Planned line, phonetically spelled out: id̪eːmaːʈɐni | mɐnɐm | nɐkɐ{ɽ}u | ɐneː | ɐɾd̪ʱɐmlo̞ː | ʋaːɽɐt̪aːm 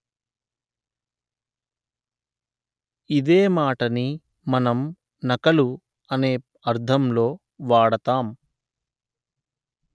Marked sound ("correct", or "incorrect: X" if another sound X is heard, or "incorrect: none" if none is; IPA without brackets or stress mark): incorrect: l